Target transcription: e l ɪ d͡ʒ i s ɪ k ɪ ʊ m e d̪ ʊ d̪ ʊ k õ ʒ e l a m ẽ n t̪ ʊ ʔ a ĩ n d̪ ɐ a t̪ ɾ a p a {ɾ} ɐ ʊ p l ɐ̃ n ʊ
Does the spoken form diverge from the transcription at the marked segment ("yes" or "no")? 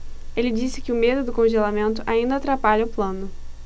yes